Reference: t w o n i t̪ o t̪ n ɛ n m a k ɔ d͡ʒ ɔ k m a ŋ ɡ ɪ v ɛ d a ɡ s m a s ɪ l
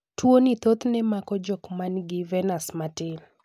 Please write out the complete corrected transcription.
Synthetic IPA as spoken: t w o n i t̪ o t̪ n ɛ m a k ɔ d͡ʒ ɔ k m a n ɡ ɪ v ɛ n a s m a t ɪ l

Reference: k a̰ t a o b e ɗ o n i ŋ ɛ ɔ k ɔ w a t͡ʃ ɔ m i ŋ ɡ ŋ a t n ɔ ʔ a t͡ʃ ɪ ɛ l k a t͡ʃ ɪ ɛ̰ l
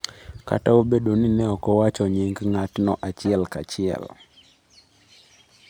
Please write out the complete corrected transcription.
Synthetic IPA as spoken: k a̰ t a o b e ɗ o n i n ɛ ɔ k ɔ w a t͡ʃ ɔ ɲ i ŋ ɡ ŋ a t n ɔ ʔ a t͡ʃ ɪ ɛ l k a t͡ʃ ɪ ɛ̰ l

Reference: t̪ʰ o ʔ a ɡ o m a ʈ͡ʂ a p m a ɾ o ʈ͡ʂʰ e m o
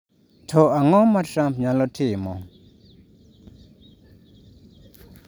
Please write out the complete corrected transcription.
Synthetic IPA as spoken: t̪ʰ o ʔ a ŋ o m a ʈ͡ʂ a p ɲ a l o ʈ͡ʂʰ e m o

